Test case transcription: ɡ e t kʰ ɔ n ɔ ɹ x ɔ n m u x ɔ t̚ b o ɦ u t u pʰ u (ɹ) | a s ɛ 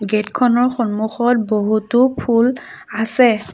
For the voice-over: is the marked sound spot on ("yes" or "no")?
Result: no